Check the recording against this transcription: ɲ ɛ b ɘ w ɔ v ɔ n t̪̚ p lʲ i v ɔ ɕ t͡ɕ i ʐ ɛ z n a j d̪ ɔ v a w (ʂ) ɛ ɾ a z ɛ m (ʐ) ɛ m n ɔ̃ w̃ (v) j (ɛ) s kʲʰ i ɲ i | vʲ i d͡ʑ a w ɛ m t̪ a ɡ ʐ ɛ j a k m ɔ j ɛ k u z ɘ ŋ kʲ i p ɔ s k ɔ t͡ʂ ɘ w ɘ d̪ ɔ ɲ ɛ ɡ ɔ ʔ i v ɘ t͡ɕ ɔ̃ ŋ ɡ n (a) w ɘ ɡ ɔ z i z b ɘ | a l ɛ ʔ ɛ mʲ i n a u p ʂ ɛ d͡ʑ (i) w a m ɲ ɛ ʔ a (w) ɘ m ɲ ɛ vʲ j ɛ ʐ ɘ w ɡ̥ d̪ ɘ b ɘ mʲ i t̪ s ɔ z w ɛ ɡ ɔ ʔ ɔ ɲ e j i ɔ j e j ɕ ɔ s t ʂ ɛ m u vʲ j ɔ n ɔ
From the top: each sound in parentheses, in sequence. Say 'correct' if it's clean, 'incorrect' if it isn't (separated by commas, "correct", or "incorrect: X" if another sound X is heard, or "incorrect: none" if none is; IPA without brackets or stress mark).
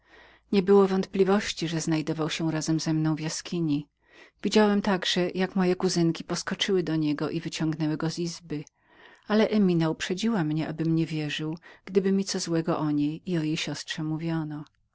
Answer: incorrect: ɕ, incorrect: z, correct, incorrect: a, incorrect: ɛ, correct, incorrect: b